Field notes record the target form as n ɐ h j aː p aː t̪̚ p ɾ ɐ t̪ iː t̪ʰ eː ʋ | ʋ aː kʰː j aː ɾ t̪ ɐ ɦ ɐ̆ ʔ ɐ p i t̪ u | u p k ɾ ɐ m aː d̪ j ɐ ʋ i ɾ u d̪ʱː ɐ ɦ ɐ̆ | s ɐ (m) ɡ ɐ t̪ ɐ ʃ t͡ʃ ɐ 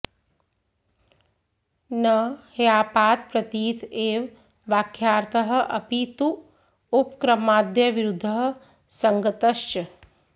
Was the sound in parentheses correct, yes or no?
no